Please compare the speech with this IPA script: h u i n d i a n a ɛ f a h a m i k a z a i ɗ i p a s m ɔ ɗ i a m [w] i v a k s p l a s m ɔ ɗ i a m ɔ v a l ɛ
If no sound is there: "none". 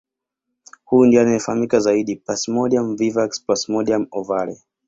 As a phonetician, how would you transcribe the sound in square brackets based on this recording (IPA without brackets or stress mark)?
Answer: v